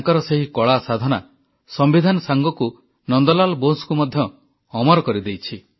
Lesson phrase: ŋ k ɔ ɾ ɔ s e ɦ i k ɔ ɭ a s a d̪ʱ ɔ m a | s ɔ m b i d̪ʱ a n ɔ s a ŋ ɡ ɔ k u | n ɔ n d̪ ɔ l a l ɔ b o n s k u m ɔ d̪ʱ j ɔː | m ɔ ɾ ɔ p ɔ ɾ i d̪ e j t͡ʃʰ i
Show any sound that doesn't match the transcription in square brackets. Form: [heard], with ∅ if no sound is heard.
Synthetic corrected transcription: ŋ k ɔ ɾ ɔ s e ɦ i k ɔ ɭ a s a d̪ʱ ɔ [n] a | s ɔ m b i d̪ʱ a n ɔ s a ŋ ɡ ɔ k u | n ɔ n d̪ ɔ l a l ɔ b o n s k u m ɔ d̪ʱ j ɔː | m ɔ ɾ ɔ [k] ɔ ɾ i d̪ e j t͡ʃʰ i